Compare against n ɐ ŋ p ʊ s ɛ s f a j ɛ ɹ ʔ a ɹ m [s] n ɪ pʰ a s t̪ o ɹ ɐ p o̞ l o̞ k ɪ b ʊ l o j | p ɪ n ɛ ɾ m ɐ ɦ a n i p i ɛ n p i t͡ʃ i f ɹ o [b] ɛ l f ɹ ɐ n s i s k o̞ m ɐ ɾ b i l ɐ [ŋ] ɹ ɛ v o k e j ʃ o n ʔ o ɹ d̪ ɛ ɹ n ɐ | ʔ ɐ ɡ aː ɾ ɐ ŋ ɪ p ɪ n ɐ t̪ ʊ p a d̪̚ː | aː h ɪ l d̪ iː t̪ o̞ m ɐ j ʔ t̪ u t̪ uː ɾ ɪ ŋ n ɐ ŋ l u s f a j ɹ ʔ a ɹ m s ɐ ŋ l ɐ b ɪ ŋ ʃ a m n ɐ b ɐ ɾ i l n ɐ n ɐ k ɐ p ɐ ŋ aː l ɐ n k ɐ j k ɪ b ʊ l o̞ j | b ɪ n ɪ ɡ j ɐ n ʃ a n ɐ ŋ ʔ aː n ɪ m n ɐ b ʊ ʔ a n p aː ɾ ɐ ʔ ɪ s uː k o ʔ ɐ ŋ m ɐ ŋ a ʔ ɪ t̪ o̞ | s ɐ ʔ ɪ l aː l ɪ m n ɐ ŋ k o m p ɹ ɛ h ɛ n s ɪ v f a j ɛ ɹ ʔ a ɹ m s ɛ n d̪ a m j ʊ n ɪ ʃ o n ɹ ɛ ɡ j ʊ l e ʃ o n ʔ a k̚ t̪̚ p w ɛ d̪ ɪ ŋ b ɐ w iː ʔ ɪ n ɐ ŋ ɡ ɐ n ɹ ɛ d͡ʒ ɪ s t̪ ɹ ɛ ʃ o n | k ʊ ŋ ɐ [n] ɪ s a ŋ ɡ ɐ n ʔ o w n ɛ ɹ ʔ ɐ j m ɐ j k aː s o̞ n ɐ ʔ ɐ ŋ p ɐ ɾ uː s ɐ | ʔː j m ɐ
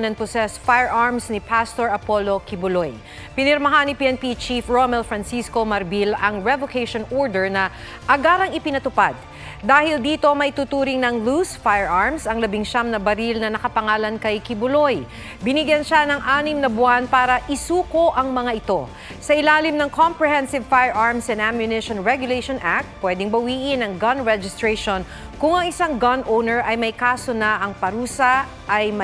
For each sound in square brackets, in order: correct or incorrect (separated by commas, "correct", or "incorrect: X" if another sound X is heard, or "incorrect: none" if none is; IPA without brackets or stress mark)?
correct, incorrect: m, correct, incorrect: ŋ